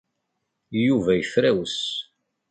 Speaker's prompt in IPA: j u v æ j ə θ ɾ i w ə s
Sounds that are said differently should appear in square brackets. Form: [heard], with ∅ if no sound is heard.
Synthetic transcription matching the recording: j u v æ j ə [f] ɾ [æ] w ə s